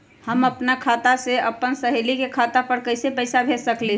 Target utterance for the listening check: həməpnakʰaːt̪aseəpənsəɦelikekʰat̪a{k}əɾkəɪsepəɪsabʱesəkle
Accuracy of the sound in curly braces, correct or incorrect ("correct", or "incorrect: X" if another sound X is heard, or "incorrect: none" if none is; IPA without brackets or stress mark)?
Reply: incorrect: p